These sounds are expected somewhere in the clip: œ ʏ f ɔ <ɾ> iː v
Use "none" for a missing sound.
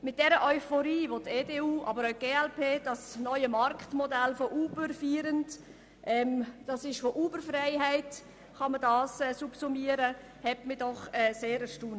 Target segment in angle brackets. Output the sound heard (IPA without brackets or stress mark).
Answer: ɾ